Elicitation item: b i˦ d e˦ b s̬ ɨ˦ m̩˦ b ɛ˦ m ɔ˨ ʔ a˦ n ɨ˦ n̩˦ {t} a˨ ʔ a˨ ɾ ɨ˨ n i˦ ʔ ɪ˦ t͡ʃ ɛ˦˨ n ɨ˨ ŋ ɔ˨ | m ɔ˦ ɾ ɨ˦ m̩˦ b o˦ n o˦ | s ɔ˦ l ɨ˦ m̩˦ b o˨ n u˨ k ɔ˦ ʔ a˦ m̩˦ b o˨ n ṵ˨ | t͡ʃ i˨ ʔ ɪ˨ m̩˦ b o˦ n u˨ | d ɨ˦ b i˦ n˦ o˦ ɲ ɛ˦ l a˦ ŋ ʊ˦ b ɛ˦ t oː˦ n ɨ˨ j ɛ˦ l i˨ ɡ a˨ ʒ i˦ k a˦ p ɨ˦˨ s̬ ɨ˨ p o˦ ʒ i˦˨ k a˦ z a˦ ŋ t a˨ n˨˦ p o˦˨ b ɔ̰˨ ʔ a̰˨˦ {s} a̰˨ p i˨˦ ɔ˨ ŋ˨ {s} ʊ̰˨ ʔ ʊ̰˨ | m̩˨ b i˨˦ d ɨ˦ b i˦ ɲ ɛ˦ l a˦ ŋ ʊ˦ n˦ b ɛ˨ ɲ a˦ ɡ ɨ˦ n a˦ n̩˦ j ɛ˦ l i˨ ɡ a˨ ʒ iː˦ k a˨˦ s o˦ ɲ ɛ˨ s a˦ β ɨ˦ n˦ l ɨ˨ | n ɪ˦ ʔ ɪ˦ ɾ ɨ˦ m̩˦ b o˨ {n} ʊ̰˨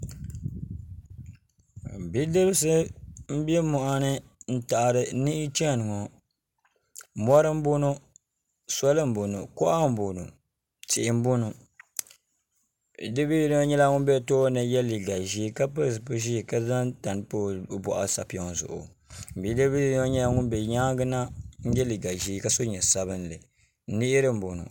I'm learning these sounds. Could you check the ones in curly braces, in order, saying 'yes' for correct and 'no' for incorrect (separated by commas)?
yes, yes, no, yes